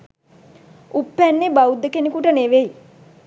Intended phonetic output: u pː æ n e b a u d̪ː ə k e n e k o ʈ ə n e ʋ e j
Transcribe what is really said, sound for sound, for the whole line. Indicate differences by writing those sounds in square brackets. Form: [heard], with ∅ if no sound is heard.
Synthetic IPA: u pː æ [nː] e b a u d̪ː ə k e n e k [u] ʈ ə n e ʋ e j